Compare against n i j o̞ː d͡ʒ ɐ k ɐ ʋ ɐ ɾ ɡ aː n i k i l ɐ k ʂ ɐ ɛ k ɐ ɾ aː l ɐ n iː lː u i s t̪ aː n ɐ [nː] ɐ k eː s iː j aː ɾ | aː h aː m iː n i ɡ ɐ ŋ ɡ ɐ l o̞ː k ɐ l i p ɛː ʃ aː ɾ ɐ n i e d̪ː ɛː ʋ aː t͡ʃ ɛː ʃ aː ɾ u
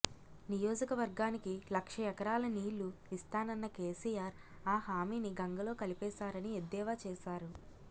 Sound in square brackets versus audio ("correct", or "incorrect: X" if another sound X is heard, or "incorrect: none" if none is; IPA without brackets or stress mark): correct